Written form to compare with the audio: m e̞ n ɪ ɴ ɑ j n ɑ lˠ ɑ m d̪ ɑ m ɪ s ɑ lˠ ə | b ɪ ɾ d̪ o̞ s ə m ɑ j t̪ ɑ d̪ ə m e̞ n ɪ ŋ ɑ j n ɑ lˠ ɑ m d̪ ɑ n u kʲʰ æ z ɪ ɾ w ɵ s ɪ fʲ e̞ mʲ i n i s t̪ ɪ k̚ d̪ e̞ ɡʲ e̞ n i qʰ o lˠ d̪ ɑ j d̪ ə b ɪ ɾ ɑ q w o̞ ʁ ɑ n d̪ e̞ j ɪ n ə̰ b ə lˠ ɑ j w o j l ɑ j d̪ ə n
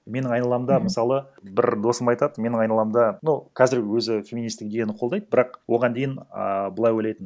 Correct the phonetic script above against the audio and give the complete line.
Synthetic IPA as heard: m e̞ n ɪ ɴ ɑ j n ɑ lˠ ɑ m d̪ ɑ m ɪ s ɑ lˠ ə | b ɪ ɾ d̪ o̞ s ə m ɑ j t̪ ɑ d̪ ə m e̞ n ɪ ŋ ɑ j n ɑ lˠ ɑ m d̪ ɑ n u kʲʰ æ z ɪ ɾ w ɵ z ɪ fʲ e̞ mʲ i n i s t̪ ɪ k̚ d̪ e̞ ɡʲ e̞ n ɪ qʰ o lˠ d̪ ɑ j d̪ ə b ɪ ɾ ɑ q w o̞ ʁ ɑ n d̪ e̞ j ɪ n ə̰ b ə lˠ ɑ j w o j l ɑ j t̪ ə n

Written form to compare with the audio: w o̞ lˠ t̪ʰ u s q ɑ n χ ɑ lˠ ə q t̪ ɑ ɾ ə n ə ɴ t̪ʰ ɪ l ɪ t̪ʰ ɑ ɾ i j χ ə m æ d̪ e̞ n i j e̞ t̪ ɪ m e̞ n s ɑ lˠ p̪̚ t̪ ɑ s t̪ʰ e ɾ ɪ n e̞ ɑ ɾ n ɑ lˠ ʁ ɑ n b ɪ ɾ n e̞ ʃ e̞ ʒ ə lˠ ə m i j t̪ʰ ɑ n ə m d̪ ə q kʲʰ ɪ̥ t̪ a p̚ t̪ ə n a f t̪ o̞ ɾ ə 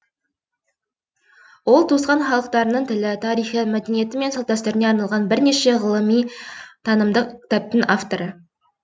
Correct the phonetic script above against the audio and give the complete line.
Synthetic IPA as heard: w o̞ lˠ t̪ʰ u s q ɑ n χ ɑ lˠ ə q t̪ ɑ ɾ ə n ə ɴ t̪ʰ ɪ l ɪ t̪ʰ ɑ ɾ i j χ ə m æ d̪ e̞ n i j e̞ t̪ ɪ m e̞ n s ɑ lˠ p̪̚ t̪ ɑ s t̪ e ɾ ɪ n e̞ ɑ ɾ n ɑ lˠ ʁ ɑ n b ɪ ɾ n e̞ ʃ e̞ ʁ ə lˠ ə m i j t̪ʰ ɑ n ə m d̪ ə q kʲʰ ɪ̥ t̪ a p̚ t̪ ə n a f t̪ o̞ ɾ ə

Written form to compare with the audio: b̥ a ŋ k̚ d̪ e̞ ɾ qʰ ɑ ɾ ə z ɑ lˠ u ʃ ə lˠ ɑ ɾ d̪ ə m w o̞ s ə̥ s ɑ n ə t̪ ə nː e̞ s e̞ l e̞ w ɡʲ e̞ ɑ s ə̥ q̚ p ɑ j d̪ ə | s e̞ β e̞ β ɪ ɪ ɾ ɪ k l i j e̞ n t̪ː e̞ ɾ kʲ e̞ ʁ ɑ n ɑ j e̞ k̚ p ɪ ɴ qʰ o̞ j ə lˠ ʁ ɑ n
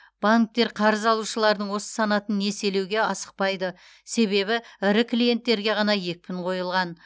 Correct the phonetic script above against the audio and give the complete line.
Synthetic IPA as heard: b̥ a ŋ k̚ t̪ e̞ ɾ qʰ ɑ ɾ ə z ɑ lˠ u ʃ ə lˠ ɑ ɾ d̪ ə ɴ w o̞ s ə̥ s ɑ n ɑ t̪ ə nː e̞ s e̞ l e̞ w ɡʲ e̞ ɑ s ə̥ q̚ p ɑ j d̪ ə | s e̞ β e̞ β ɪ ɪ ɾ ɪ k l i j e̞ n t̪ː e̞ ɾ ɡʲ e̞ ʁ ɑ n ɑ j e̞ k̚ p ɪ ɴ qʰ o̞ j ə lˠ ʁ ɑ n

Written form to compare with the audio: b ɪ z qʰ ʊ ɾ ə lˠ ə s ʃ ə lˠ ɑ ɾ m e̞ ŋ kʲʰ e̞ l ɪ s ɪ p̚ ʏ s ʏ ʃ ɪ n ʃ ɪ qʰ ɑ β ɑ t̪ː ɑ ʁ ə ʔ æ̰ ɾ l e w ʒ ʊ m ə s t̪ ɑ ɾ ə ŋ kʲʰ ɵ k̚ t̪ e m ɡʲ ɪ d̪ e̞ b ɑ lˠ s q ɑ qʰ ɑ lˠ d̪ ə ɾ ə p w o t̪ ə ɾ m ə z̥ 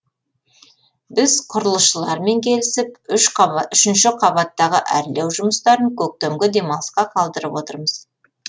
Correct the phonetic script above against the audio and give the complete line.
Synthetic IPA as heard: b ɪ z qʰ ʊ ɾ ə lˠ ə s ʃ ə lˠ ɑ ɾ m e̞ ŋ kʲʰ e̞ l ɪ s ɪ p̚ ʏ ʃ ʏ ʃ ɪ n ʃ ɪ qʰ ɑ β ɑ t̪ː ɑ ʁ ə ʔ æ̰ ɾ l e w ʒ ʊ m ə s t̪ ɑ ɾ ə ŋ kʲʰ ɵ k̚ t̪ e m ɡʲ ɪ d̪ e̞ m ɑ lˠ s q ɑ qʰ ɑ lˠ d̪ ə ɾ ə p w o t̪ ə ɾ m ə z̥

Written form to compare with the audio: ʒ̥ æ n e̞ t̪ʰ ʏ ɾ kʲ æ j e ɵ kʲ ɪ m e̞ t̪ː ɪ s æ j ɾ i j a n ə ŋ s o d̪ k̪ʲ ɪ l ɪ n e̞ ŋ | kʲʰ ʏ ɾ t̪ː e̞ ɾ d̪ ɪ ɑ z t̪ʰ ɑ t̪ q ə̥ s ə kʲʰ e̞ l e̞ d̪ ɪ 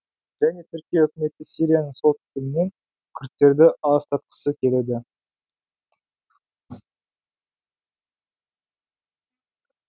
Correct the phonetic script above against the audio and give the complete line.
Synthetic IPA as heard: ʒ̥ æ n e̞ t̪ʰ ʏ ɾ kʲ i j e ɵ kʲ ɪ m e̞ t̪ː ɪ s i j ɾ i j a n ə ŋ s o t̪ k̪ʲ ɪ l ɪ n e̞ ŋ | kʲʰ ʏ ɾ t̪ː e̞ ɾ d̪ ɪ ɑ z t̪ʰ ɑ t̪ q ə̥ s ə kʲʰ e̞ l e̞ d̪ ɪ

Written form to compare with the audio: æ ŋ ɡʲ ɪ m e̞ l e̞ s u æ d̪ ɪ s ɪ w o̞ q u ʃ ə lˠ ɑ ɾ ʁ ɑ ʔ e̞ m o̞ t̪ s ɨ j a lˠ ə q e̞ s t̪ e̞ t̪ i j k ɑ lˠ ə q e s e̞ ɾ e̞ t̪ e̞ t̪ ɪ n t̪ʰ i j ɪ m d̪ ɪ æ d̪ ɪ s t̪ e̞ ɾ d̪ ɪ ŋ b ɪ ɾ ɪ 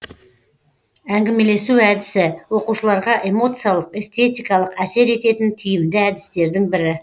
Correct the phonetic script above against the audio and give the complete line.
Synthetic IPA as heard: æ ŋ ɡʲ ɪ m e̞ l e̞ s u æ d̪ ɪ s ɪ w o̞ q u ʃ ə lˠ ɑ ɾ ʁ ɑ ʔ e̞ m o̞ t̪ s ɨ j a lˠ ə q e̞ s t̪ e̞ t̪ i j k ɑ lˠ ə q æ s e̞ ɾ e̞ t̪ e̞ t̪ ɪ n t̪ʰ i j ɪ m d̪ ɪ æ d̪ ɪ s t̪ e̞ ɾ d̪ ɪ ŋ b ɪ ɾ ɪ

